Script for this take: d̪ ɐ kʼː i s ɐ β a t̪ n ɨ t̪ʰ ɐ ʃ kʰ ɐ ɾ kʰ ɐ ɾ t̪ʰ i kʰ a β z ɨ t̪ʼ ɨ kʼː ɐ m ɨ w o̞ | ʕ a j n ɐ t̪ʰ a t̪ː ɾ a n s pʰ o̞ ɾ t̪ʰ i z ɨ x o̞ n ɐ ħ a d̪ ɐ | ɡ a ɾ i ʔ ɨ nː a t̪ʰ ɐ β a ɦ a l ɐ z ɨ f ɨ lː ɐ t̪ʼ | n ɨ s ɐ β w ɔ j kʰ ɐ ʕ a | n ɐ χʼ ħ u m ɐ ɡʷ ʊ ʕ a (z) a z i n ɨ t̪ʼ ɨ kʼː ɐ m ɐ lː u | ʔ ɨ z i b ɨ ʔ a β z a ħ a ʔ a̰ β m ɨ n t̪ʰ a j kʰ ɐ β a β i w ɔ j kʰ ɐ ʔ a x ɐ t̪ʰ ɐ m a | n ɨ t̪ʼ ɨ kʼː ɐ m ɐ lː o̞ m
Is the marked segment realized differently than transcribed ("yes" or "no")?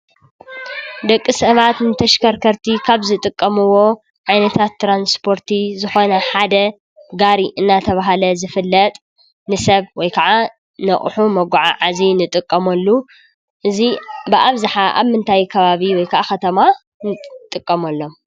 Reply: yes